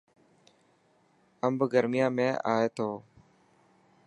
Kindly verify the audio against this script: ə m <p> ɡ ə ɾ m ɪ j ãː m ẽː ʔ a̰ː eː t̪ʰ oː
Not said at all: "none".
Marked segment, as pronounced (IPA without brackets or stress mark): b